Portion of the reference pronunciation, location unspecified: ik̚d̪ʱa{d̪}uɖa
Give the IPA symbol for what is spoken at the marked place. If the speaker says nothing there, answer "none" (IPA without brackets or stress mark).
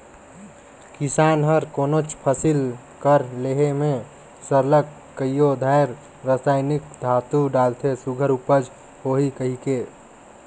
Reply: t̪